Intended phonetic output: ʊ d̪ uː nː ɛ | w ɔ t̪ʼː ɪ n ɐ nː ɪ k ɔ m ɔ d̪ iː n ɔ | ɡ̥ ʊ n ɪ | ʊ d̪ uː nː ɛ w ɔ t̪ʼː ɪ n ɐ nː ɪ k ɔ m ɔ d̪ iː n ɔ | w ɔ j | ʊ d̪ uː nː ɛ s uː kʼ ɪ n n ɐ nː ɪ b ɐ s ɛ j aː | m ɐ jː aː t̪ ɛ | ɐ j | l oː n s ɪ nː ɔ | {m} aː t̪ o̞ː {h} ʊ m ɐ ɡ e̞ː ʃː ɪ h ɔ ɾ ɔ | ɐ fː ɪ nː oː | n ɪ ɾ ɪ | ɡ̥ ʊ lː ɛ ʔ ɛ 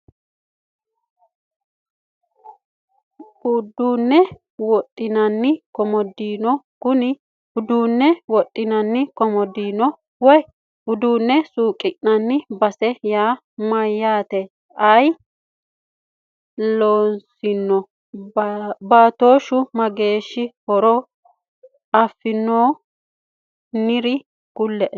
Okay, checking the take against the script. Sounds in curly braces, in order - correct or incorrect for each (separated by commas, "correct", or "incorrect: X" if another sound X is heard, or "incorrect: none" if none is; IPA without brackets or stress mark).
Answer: incorrect: b, incorrect: ʃ